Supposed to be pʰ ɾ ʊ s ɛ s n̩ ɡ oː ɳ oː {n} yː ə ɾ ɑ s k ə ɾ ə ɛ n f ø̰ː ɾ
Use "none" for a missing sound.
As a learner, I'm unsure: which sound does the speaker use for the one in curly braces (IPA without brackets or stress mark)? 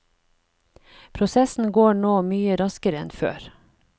m